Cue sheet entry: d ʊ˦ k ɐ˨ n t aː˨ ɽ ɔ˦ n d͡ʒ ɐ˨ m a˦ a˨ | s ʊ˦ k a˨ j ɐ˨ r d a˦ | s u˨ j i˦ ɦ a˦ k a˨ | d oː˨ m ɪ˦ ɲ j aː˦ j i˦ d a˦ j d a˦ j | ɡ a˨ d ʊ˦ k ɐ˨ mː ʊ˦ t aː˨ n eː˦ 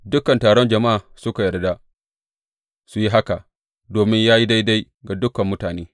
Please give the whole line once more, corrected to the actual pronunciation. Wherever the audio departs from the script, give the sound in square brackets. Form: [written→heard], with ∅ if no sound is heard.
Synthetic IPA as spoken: d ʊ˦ k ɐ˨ n t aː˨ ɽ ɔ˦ n d͡ʒ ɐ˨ m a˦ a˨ | s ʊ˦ k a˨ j ɐ˨ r d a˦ | s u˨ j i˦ ɦ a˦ k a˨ | d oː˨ m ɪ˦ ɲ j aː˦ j i˦ d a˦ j d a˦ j | ɡ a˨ d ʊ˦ k ɐ˨ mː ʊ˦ t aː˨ n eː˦